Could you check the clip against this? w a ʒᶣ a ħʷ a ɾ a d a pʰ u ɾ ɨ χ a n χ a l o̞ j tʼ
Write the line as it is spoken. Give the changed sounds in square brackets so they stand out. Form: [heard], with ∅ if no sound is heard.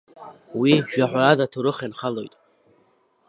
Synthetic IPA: w [i] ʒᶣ a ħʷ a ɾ a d a [tʰ] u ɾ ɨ χ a n χ a l o̞ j tʼ